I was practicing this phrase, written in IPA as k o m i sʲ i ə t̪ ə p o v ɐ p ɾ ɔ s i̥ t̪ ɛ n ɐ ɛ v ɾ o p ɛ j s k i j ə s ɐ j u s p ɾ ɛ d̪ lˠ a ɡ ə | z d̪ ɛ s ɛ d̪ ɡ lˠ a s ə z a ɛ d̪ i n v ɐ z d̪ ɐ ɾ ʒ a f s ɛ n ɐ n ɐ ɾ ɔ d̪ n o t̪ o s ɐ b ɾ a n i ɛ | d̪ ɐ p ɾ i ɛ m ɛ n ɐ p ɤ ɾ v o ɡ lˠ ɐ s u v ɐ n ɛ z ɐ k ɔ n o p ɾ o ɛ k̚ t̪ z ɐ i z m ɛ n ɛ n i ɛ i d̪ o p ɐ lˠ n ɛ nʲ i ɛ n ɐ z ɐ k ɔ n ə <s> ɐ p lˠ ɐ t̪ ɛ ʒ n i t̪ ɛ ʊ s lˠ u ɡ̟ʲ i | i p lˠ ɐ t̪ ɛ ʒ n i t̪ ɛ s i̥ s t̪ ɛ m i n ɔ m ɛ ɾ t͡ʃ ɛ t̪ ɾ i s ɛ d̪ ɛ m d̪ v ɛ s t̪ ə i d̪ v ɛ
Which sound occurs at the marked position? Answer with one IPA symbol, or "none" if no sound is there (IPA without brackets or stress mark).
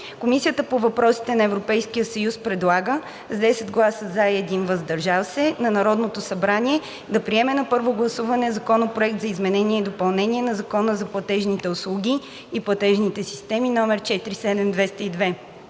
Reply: z